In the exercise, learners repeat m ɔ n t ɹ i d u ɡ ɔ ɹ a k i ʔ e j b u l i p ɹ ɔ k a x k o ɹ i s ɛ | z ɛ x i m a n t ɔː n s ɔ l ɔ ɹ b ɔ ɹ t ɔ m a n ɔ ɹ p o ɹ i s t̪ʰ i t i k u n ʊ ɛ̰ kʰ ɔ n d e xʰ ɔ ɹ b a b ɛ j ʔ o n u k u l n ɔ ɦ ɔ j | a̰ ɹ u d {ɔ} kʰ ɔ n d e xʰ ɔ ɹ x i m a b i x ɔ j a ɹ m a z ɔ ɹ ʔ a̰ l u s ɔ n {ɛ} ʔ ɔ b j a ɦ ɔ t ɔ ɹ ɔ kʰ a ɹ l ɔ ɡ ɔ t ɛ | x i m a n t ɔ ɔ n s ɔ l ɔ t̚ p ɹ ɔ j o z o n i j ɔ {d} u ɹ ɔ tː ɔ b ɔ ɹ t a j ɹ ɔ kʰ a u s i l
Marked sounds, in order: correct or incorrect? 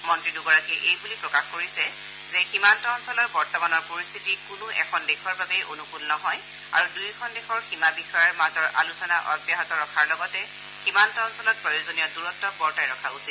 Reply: incorrect: u, incorrect: a, correct

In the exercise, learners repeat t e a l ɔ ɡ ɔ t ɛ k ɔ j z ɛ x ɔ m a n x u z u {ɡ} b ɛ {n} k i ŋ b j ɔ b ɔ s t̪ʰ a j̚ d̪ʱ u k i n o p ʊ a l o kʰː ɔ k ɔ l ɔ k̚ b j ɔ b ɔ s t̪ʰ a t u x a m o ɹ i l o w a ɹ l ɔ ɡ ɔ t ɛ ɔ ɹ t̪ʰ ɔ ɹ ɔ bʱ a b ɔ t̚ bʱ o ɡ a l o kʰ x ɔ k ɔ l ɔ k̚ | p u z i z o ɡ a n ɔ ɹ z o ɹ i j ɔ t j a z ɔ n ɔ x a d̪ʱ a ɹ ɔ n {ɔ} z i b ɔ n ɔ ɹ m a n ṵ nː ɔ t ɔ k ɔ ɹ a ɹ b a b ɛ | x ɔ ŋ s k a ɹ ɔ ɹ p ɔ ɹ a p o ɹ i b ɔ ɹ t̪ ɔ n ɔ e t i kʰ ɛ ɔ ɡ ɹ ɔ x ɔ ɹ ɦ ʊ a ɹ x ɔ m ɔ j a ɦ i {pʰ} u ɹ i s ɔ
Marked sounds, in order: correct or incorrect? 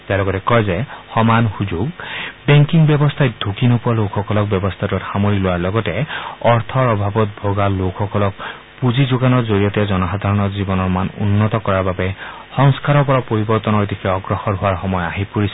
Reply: correct, incorrect: ŋ, correct, incorrect: p

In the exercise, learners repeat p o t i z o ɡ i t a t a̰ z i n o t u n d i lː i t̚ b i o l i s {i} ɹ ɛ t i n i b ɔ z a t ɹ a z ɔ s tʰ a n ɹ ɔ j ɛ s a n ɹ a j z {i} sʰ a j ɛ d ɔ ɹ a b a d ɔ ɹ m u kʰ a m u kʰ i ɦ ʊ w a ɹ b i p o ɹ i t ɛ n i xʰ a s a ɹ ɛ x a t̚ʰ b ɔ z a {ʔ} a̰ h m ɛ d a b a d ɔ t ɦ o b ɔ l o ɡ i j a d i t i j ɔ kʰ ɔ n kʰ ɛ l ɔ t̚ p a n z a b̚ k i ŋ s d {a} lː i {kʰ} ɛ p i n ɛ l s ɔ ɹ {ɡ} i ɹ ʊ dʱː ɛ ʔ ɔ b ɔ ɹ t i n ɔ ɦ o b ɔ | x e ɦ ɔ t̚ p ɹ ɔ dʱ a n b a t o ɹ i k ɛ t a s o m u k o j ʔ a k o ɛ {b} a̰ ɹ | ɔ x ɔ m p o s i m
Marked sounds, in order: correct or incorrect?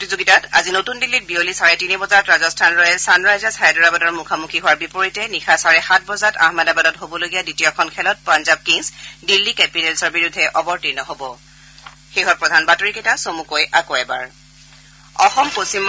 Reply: incorrect: a, incorrect: a, incorrect: t, incorrect: i, incorrect: k, incorrect: b, correct

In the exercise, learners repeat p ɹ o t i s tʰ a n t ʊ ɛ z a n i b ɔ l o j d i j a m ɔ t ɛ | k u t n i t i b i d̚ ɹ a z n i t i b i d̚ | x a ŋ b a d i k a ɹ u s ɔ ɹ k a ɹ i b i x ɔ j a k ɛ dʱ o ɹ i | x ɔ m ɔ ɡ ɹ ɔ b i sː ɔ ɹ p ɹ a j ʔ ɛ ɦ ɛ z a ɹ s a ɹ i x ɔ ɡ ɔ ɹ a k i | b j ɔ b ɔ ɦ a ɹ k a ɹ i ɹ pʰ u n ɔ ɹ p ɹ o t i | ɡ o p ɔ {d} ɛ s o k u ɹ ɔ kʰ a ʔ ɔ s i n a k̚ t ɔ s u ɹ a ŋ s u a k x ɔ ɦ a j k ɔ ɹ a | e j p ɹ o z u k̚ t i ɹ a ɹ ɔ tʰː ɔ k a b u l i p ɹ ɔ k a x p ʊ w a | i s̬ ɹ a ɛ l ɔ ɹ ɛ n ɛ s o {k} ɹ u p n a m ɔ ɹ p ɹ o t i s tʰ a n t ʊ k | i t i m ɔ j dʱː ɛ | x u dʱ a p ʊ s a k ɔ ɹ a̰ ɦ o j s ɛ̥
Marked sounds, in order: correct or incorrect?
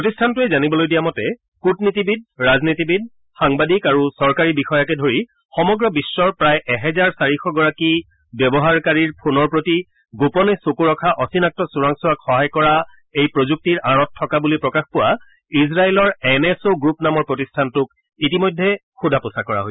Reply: incorrect: n, incorrect: ɡ

